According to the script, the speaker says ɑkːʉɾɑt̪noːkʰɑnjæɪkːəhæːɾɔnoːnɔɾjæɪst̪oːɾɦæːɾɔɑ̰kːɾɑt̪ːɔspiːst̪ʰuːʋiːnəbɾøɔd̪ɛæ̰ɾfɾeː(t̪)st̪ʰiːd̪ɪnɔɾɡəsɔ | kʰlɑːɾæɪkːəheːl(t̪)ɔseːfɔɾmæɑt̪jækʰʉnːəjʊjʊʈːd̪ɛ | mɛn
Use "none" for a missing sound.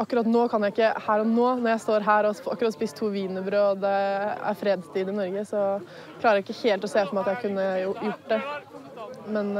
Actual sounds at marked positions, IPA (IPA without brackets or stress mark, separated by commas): d̪, t̪